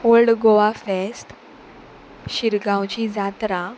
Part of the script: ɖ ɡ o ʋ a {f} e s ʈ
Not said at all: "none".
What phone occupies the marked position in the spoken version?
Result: f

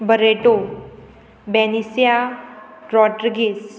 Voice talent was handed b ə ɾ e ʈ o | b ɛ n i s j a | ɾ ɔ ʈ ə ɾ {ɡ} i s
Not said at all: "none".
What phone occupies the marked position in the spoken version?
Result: ɡ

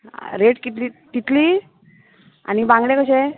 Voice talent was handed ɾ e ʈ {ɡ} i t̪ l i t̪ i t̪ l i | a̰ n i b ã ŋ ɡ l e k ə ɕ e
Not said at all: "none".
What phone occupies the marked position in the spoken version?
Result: k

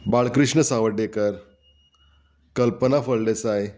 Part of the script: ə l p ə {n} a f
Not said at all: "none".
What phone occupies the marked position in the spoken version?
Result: n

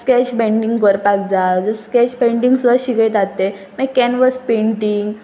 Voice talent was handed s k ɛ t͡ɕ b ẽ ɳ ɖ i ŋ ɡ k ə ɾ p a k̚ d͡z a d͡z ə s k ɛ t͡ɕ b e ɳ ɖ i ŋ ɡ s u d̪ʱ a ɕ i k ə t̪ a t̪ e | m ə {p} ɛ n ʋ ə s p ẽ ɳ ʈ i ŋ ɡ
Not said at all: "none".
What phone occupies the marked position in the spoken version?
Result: k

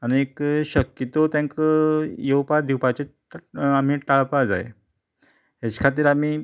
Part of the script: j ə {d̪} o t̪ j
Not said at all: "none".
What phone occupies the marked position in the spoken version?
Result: t̪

